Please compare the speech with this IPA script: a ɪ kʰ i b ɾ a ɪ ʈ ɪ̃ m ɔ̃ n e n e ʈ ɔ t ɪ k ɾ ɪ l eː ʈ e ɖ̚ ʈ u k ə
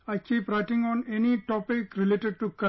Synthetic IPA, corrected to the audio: a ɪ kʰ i p ɾ a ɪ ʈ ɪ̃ ŋ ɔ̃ n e n i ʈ ɔ p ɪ k ɾ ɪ l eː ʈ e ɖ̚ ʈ u k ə